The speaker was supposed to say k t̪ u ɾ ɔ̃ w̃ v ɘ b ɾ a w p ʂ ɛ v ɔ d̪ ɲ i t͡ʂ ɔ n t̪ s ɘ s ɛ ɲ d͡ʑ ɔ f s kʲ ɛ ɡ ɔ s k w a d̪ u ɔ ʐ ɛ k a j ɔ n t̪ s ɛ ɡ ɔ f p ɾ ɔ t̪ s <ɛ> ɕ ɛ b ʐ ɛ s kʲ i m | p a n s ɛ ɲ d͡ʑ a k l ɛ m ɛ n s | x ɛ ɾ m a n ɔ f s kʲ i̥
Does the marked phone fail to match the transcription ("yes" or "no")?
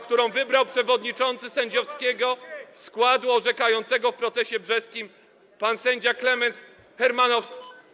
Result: no